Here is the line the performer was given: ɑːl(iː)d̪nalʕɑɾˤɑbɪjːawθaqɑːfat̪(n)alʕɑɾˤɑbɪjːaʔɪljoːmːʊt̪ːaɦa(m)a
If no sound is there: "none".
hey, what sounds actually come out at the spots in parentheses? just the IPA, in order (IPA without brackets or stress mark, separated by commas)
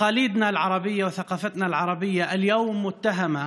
iː, n, m